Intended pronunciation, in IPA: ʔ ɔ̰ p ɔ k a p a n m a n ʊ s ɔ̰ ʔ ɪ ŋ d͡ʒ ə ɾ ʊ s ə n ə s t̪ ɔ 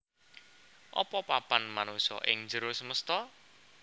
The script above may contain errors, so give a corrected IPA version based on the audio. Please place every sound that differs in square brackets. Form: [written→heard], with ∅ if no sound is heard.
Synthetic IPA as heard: ʔ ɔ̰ p ɔ [k→p] a p a n m a n [ʊ→u] s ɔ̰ ʔ ɪ ŋ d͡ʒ ə ɾ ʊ s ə [n→m] ə s t̪ ɔ